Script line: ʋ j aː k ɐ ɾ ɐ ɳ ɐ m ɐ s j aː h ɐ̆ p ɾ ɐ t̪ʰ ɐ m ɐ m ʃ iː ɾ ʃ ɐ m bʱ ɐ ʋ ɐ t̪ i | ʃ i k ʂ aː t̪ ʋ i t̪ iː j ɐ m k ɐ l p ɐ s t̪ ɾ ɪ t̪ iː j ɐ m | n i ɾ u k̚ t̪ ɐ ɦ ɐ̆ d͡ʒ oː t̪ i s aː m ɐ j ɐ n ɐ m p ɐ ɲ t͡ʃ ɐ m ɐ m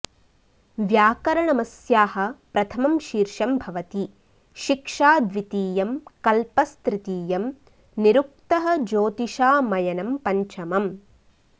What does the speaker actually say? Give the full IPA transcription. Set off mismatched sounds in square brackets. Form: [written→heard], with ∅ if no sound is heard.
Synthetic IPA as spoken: ʋ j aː k ɐ ɾ ɐ ɳ ɐ m ɐ s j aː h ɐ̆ p ɾ ɐ t̪ʰ ɐ m ɐ m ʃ iː ɾ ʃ ɐ m bʱ ɐ ʋ ɐ t̪ i | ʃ i k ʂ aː [t̪→d̪] ʋ i t̪ iː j ɐ m k ɐ l p ɐ s t̪ ɾ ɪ t̪ iː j ɐ m | n i ɾ u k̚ t̪ ɐ ɦ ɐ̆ d͡ʒ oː t̪ i [s→ʃ] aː m ɐ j ɐ n ɐ m p ɐ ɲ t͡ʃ ɐ m ɐ m